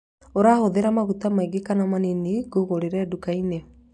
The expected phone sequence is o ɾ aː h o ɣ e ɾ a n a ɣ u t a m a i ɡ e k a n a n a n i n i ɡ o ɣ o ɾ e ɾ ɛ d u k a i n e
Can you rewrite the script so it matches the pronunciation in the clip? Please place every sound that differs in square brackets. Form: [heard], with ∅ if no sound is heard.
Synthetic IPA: o ɾ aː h o [ð] e ɾ a [m] a ɣ u t a m a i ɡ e k a n a [m] a n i n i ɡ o ɣ o ɾ e ɾ ɛ d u k a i n e